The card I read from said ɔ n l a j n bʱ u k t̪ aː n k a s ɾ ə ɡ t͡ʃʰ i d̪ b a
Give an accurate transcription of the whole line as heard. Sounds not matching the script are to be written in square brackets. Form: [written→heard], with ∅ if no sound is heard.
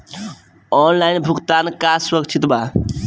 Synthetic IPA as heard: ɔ n l a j n bʱ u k t̪ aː n k a s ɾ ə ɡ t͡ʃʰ i [d̪→t̪] b a

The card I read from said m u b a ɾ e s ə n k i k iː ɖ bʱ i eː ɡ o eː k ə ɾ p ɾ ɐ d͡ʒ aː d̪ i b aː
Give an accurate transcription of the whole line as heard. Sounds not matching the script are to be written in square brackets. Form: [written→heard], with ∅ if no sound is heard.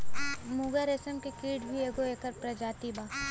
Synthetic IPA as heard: m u [b→ɡ] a ɾ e s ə [n→m] k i k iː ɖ bʱ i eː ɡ o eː k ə ɾ p ɾ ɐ d͡ʒ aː [d̪→t̪] i b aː

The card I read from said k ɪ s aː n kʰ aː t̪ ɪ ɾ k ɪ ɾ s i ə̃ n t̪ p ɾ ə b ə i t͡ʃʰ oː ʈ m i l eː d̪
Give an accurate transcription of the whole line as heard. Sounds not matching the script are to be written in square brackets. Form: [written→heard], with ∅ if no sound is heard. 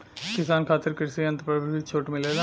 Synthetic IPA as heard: k ɪ s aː n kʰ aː t̪ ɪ ɾ k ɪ ɾ s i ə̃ n t̪ p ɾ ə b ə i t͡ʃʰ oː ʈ m [i→ɪ] l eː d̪

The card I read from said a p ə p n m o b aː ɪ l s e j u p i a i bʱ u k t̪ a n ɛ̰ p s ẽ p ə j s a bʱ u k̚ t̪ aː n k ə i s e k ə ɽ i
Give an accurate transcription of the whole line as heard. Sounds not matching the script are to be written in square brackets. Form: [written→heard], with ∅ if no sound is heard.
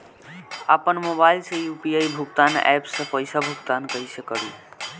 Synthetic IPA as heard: a p ə [p→∅] n m o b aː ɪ l s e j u p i a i bʱ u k t̪ a n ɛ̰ p s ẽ p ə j s a bʱ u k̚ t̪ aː n k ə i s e k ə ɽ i

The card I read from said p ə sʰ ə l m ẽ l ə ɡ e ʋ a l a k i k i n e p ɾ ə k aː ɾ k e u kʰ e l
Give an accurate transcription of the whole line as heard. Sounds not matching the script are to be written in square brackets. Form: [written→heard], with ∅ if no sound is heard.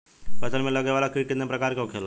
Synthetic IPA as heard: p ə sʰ ə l m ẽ l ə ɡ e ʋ a l a k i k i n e p ɾ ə k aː ɾ k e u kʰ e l

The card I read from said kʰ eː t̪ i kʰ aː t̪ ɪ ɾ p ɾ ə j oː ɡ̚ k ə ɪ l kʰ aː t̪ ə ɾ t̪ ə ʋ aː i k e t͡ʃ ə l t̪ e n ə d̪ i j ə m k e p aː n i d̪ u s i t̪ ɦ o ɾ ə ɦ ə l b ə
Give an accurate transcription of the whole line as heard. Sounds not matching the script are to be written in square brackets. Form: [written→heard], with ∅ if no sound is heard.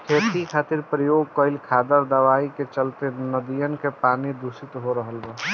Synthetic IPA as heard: kʰ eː t̪ i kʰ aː t̪ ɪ ɾ p ɾ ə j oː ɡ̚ k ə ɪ l kʰ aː [t̪→d̪] ə ɾ [t̪→d̪] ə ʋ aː i k e t͡ʃ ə l t̪ e n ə d̪ i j ə [m→n] k e p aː n i d̪ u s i t̪ ɦ o ɾ ə ɦ ə l b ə

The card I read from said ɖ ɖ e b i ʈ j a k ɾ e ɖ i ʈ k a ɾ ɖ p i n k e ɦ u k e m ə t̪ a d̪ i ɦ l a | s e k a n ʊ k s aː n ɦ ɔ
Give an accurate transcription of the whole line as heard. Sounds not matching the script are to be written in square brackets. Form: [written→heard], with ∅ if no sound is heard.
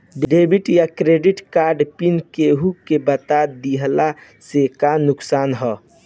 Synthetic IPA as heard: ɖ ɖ e b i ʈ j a k ɾ e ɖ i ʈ k a ɾ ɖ p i n k e ɦ u k e [m→b] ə t̪ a d̪ i ɦ l a | s e k a n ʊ k s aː n ɦ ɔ

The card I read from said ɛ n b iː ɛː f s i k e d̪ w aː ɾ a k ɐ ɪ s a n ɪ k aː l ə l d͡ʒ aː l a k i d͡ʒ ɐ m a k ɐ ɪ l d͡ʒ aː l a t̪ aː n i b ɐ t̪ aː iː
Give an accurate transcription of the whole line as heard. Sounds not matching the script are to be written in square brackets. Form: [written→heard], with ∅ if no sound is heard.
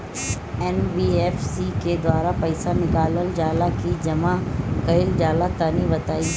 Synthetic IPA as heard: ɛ n b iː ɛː f s i k e d̪ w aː ɾ a [k→p] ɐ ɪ s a n ɪ k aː l ə l d͡ʒ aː l a k i d͡ʒ ɐ m a k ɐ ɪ l d͡ʒ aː l a t̪ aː n i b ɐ t̪ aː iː

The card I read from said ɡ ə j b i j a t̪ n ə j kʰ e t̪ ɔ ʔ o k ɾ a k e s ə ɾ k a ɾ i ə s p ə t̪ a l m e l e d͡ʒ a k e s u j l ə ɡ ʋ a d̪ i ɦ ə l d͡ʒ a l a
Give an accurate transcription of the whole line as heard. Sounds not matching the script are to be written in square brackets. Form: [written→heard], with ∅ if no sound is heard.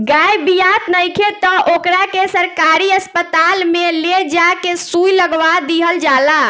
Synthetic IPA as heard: ɡ [ə→a] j b i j a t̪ n ə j kʰ e t̪ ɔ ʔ o k ɾ a k e s ə ɾ k a ɾ i ə s p ə t̪ a l m e l e d͡ʒ a k e s u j l ə ɡ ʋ a d̪ i ɦ ə l d͡ʒ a l a

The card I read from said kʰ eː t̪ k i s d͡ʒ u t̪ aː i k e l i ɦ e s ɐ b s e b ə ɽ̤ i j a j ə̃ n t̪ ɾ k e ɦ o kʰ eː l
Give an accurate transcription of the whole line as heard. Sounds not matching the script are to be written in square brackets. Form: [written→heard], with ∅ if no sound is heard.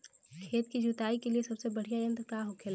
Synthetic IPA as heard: kʰ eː t̪ k i [s→∅] d͡ʒ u t̪ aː i k e l i [ɦ→∅] e s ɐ b s e b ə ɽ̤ i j a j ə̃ n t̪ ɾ k [e→a] ɦ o kʰ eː l

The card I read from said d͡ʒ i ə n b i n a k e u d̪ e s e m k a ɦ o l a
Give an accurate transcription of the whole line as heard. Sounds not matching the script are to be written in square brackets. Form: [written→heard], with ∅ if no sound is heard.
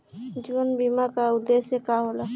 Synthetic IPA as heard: d͡ʒ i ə n b i [n→m] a k [e→a] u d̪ e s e [m→∅] k a ɦ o l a

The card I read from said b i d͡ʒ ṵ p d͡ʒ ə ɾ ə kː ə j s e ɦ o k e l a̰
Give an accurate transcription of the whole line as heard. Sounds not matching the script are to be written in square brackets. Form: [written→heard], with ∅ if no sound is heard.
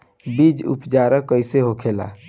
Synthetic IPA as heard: b i d͡ʒ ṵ p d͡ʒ [ə→a] ɾ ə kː ə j s e ɦ o [k→kʰ] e l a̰

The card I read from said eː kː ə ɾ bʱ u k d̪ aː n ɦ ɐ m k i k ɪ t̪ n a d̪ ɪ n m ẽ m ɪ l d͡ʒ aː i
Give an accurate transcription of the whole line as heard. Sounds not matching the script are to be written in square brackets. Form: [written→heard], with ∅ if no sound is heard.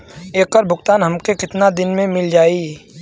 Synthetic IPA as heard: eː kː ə ɾ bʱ [u→ʊ] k [d̪→t̪] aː n ɦ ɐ m k [i→e] k ɪ t̪ n a d̪ ɪ n m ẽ m ɪ l d͡ʒ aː i

